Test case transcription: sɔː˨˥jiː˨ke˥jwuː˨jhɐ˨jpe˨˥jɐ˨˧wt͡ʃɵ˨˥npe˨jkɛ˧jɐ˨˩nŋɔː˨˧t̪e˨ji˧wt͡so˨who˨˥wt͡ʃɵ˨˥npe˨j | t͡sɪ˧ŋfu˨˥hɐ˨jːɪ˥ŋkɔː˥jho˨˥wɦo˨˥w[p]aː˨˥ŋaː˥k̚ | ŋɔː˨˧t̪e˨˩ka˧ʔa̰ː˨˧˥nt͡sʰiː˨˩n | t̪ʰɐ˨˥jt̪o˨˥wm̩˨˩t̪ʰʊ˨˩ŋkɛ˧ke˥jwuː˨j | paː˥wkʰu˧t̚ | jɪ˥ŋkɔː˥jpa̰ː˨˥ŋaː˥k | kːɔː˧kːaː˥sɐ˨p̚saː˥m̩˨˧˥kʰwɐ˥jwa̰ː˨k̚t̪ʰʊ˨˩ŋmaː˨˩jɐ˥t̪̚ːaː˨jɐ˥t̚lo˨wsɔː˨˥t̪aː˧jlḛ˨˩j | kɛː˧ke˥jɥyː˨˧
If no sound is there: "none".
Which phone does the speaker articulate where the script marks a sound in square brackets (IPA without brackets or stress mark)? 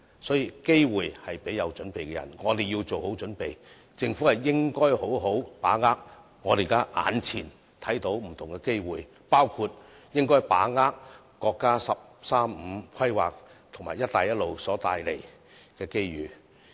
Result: p